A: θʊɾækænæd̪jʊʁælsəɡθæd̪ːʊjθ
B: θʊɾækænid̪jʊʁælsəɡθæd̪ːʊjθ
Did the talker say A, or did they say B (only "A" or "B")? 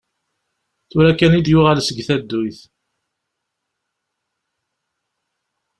B